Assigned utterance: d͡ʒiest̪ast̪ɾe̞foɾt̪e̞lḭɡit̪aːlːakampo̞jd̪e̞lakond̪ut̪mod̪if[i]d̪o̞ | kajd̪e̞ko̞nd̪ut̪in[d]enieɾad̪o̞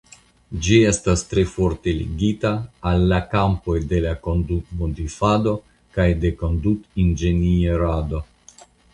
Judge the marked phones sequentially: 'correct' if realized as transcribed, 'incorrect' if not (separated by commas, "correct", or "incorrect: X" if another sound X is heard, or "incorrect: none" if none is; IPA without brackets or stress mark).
incorrect: a, incorrect: d͡ʒ